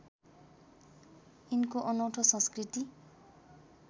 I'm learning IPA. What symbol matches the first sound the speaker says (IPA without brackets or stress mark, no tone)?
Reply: i